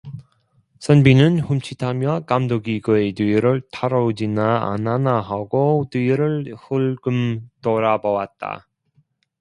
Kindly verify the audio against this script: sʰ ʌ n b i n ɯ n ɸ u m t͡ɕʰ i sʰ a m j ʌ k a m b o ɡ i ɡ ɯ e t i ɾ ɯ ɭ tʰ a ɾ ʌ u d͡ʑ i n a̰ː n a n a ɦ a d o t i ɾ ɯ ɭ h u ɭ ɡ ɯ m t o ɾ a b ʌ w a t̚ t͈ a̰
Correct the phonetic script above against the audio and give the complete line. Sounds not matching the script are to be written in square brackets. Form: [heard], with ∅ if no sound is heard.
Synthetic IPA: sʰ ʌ n b i n ɯ n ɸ u m t͡ɕʰ i [tʰ] a m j ʌ k a m [d] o ɡ i ɡ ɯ e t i ɾ ɯ ɭ tʰ a ɾ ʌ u d͡ʑ i n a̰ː n a n a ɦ a [ɡ] o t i ɾ ɯ ɭ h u ɭ ɡ ɯ m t o ɾ a b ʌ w a t̚ t͈ a̰